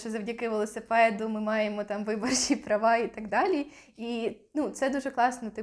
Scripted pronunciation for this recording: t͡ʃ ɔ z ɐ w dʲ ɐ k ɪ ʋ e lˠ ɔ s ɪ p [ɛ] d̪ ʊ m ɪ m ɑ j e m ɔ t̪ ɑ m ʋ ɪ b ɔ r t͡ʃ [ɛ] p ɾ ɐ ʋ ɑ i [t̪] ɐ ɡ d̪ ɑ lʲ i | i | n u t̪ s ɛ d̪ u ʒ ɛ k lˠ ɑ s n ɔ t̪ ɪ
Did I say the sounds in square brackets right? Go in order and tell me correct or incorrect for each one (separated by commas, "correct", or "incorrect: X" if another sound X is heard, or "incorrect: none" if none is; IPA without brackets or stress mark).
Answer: correct, incorrect: i, correct